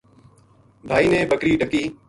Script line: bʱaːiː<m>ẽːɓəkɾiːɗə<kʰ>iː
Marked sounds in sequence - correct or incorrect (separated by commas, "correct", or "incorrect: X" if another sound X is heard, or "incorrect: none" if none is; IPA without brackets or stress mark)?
incorrect: n, incorrect: k